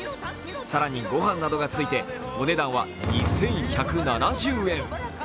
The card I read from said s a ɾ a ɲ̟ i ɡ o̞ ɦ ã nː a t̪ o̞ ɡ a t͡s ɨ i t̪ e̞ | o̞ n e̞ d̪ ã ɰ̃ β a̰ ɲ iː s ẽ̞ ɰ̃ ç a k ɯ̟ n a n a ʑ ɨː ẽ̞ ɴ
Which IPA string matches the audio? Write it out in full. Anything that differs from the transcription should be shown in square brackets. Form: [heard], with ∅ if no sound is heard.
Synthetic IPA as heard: s a ɾ a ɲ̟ i ɡ o̞ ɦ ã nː a [d̪] o̞ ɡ a t͡s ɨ i t̪ e̞ | o̞ n e̞ d̪ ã ɰ̃ β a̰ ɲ [i] s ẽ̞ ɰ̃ ç a k ɯ̟ n a n a ʑ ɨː ẽ̞ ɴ